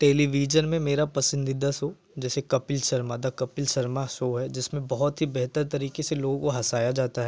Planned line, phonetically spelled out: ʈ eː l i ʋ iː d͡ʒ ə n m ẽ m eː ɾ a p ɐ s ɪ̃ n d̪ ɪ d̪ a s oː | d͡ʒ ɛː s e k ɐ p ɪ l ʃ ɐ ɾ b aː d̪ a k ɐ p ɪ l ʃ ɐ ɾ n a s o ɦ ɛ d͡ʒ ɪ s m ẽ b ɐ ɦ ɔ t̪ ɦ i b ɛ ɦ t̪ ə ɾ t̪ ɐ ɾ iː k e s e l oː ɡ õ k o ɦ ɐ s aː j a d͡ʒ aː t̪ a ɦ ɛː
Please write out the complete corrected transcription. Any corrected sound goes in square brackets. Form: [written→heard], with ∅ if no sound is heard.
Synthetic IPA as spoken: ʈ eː l i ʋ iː d͡ʒ ə n m ẽ m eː ɾ a p ɐ s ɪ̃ n d̪ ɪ d̪ a s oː | d͡ʒ ɛː s e k ɐ p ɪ l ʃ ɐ ɾ [b→m] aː d̪ a k ɐ p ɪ l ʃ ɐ ɾ [n→m] a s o ɦ ɛ d͡ʒ ɪ s m ẽ b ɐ ɦ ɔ t̪ ɦ i b ɛ ɦ t̪ ə ɾ t̪ ɐ ɾ iː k e s e l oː ɡ õ k o ɦ ɐ s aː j a d͡ʒ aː t̪ a ɦ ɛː